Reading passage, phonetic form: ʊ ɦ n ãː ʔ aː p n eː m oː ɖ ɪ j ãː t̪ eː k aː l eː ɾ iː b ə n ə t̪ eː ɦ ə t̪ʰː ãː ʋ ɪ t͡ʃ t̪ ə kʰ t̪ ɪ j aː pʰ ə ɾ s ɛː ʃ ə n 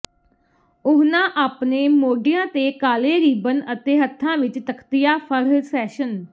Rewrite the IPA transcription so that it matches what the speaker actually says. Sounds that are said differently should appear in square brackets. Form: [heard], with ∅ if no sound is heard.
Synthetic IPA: ʊ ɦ n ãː ʔ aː p n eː m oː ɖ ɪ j ãː t̪ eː k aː l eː ɾ iː b ə n ə t̪ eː ɦ ə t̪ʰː ãː ʋ ɪ t͡ʃ t̪ ə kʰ t̪ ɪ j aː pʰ ə ɾ s ɛː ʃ ə n